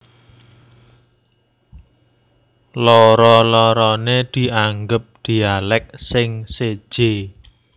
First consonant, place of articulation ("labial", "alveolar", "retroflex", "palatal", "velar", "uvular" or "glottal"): alveolar